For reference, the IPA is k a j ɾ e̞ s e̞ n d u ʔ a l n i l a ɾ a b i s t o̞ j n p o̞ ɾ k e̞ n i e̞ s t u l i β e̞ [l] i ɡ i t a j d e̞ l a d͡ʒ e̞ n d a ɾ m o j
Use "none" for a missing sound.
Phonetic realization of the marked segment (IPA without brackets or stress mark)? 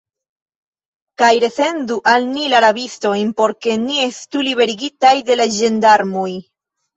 ɾ